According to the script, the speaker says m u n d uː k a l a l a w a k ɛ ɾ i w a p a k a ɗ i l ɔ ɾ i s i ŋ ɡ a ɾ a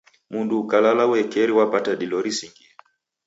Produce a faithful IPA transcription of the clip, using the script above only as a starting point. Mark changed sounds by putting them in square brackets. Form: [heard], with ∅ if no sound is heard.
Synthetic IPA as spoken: m u n d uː k a l a l a w [ɛ] k ɛ ɾ i w a p a [t] a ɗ i l ɔ ɾ i s i ŋ ɡ [i] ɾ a